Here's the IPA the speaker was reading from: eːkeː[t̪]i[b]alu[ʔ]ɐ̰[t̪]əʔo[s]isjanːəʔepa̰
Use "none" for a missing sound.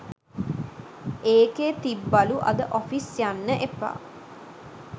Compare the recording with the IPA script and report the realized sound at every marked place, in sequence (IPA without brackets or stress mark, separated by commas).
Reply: t̪, bː, ʔ, d̪, f